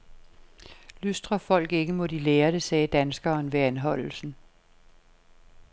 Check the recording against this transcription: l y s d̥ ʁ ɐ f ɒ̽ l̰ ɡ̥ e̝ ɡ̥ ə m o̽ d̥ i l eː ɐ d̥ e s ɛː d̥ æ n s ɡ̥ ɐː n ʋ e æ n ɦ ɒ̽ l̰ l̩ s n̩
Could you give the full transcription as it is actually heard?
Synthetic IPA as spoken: l y s d̥ ʁ ɐ f ɒ̽ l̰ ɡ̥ e̝ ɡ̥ ə m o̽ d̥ i l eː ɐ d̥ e s ɛː d̥ æ n s ɡ̥ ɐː n ʋ e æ n ɦ ɒ̽ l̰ l̩ s n̩